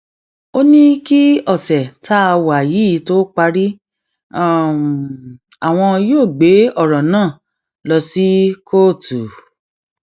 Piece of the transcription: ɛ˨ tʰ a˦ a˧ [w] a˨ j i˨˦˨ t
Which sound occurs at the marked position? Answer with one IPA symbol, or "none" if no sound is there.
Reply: w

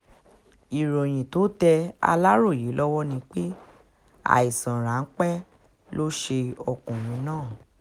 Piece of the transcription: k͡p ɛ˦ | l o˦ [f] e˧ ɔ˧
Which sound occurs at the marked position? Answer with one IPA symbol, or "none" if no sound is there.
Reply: ʃ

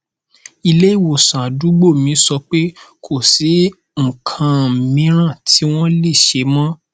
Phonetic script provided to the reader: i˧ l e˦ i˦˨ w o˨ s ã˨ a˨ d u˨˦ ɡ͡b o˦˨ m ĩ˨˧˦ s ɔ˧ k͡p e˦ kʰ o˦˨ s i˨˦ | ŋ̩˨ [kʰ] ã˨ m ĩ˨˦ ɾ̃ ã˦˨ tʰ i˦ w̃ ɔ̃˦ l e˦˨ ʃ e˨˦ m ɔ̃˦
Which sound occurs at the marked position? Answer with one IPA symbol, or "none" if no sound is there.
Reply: kʰ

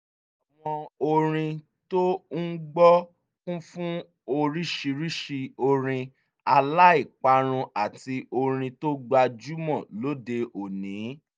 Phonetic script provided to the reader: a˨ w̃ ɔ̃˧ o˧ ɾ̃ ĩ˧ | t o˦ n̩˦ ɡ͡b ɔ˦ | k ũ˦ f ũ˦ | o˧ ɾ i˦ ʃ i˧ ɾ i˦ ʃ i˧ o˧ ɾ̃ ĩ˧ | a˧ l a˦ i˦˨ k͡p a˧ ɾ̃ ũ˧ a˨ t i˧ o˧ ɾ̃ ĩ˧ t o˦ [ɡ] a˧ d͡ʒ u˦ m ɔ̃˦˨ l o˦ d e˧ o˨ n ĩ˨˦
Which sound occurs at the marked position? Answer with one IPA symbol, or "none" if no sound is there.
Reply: ɡ͡b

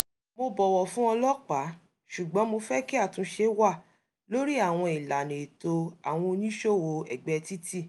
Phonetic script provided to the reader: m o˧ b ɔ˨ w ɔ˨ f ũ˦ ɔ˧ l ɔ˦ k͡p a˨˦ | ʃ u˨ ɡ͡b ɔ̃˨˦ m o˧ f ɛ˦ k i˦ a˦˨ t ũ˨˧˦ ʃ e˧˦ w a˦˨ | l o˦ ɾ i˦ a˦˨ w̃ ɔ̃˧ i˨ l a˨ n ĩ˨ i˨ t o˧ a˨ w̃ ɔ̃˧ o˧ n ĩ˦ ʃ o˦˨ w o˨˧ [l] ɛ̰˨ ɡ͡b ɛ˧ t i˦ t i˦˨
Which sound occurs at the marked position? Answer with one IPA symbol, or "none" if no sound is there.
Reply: none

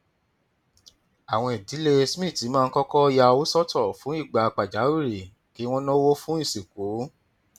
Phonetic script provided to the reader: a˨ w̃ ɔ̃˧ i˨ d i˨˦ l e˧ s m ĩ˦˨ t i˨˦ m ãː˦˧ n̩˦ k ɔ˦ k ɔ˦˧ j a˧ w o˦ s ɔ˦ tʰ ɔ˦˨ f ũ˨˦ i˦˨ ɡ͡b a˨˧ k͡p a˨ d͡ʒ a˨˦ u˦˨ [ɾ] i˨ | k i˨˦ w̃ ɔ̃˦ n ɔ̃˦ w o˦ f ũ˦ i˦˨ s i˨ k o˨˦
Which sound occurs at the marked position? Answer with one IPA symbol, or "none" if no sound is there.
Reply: ɾ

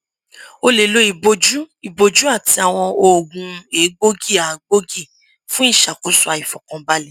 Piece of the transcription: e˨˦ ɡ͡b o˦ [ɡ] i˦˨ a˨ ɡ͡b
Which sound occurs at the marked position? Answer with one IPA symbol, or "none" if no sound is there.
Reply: ɡ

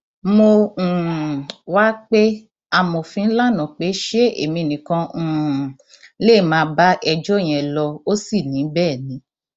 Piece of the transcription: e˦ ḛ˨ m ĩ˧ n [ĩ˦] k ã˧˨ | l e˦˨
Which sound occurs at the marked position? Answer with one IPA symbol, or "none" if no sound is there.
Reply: ĩ˨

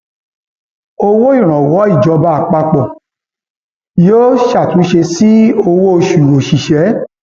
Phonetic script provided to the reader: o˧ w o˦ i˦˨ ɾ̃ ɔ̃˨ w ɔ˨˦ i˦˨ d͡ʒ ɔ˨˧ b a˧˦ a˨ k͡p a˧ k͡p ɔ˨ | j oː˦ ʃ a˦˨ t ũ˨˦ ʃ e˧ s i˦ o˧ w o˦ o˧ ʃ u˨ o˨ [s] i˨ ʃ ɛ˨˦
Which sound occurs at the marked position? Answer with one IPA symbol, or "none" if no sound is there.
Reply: ʃ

